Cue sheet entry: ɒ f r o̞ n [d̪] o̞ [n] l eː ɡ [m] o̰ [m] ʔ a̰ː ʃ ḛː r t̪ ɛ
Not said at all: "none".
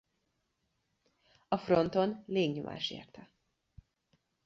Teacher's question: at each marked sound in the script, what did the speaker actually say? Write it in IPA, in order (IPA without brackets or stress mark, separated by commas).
t̪, n, ɲ, m